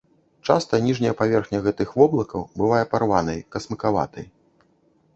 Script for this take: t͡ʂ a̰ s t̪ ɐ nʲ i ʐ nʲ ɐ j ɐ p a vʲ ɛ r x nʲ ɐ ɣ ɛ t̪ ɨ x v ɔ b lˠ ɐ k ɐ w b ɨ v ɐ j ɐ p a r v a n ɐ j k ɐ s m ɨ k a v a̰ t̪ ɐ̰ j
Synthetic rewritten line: t͡ʂ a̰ s t̪ ɐ nʲ i ʐ nʲ ɐ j ɐ p a vʲ ɛ r x nʲ ɐ ɣ ɛ t̪ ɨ x v ɔ b lˠ ɐ k ɐ w b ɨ v a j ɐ p a r v a n ɐ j k ɐ s m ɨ k a v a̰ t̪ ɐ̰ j